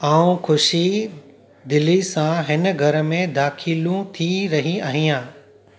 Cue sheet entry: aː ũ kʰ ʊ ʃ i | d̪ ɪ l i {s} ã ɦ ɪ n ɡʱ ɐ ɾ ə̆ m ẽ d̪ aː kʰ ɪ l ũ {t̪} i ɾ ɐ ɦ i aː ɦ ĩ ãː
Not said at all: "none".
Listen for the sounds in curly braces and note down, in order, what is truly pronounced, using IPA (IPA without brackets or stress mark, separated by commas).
s, t̪ʰ